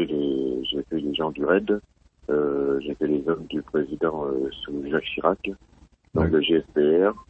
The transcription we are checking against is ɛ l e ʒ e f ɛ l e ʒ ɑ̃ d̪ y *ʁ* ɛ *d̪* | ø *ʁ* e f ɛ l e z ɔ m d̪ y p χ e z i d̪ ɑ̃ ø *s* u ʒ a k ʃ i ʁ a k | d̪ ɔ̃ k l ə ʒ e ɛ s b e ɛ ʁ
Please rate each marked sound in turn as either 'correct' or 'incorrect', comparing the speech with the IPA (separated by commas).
correct, correct, incorrect, correct